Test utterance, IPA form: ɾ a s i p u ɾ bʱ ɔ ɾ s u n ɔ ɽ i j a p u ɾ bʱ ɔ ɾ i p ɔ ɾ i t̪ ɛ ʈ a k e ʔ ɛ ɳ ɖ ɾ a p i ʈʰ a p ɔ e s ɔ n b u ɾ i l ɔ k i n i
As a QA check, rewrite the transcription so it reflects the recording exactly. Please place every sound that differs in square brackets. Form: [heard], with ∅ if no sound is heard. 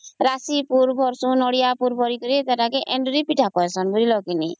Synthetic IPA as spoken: ɾ a s i p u ɾ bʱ ɔ ɾ s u n ɔ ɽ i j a p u ɾ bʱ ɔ ɾ i [k] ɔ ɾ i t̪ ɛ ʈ a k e ʔ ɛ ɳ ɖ ɾ [i] p i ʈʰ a [k] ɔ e s ɔ n b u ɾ i l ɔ k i n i